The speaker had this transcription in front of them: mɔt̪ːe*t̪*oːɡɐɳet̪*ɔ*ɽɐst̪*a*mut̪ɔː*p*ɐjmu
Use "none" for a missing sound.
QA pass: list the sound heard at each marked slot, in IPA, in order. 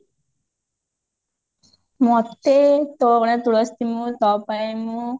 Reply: t̪, u, i, p

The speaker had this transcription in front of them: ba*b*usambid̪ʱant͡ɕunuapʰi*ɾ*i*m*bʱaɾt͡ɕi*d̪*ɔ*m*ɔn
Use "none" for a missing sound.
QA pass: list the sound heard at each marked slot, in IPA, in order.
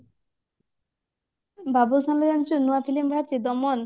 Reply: b, l, m, d̪, m

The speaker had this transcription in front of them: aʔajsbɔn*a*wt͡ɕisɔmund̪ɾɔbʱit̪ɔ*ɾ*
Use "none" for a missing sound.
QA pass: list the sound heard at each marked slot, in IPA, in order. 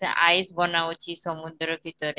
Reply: a, ɾ

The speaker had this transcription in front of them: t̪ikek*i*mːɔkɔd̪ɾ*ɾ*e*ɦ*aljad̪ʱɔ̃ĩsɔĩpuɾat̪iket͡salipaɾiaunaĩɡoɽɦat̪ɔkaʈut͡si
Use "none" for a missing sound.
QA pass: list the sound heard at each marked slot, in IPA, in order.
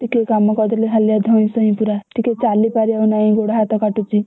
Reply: a, l, ɦ

